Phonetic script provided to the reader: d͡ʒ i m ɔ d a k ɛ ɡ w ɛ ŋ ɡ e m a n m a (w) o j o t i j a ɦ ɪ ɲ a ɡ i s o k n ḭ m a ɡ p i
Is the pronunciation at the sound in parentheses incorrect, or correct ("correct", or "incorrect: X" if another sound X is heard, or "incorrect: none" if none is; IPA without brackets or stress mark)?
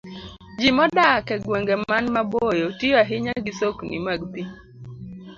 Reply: incorrect: b